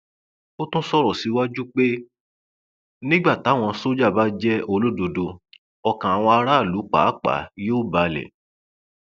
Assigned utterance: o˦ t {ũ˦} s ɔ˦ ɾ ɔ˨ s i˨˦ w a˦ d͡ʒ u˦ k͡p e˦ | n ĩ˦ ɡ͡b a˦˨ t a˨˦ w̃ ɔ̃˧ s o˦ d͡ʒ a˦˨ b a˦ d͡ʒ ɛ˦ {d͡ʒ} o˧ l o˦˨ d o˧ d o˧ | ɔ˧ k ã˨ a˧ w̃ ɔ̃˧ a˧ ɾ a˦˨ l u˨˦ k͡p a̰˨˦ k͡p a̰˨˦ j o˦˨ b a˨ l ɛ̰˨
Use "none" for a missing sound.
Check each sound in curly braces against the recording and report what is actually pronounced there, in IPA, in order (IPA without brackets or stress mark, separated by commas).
ũ˦, none